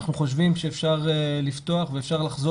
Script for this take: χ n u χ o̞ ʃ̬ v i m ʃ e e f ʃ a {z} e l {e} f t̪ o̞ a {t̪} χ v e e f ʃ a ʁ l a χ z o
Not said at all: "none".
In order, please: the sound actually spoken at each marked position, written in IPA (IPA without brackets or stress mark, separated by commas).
ʁ, i, none